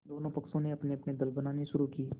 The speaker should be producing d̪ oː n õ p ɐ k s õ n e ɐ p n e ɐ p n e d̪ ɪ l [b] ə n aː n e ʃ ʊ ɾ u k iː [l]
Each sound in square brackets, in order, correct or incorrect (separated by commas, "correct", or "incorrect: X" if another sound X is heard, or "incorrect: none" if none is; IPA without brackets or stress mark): correct, incorrect: none